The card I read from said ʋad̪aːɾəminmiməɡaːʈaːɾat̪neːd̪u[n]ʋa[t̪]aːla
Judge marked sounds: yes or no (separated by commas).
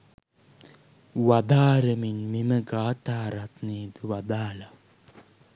no, no